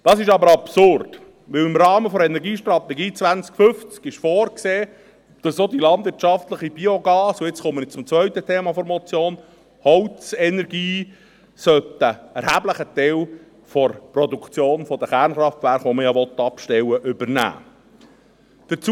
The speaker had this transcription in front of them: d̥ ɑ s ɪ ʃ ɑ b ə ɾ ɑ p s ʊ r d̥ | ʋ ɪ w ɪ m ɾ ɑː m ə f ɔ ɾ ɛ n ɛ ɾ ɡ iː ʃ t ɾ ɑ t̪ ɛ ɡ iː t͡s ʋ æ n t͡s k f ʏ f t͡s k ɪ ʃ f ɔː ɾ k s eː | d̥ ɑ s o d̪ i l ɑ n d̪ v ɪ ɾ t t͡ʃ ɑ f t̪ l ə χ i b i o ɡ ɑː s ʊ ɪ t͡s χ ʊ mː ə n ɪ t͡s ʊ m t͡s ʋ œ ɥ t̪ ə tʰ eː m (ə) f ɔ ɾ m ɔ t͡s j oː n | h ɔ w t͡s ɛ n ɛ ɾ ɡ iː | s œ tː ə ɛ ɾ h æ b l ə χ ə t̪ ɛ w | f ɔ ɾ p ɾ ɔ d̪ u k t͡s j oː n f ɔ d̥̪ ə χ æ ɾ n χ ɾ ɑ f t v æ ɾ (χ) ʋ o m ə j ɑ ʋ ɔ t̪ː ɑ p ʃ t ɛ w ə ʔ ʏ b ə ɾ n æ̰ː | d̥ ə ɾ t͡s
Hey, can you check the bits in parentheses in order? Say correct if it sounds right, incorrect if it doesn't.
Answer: incorrect: ɑ, correct

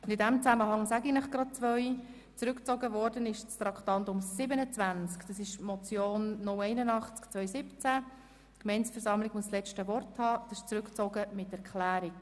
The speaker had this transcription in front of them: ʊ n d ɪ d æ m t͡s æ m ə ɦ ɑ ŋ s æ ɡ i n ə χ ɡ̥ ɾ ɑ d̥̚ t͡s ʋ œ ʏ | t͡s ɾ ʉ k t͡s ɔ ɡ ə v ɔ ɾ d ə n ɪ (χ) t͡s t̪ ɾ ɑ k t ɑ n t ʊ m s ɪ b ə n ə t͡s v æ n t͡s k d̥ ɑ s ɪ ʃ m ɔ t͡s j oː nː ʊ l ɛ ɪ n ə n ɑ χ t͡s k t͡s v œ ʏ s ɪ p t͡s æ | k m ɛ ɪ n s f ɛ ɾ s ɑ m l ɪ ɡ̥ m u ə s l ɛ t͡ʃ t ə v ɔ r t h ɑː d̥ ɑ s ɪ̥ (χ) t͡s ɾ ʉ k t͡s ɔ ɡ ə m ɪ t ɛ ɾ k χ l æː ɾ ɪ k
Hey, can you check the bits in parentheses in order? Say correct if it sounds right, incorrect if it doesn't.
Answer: incorrect: ʃ, incorrect: ʃ

